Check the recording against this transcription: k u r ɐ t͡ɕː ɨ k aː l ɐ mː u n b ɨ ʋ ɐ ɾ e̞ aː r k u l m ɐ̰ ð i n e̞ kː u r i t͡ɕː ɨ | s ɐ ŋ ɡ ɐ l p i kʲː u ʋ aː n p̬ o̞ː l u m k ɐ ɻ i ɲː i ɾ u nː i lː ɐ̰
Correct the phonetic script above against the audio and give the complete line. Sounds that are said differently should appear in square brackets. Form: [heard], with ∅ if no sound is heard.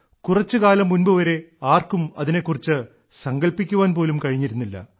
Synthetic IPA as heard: k u r ɐ t͡ɕː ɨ k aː l ɐ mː u n b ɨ ʋ ɐ ɾ e̞ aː r k u [∅] m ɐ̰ ð i n e̞ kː u r i t͡ɕː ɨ | s ɐ ŋ ɡ ɐ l p i kʲː u ʋ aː n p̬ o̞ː l u m k ɐ ɻ i ɲː i ɾ u nː i lː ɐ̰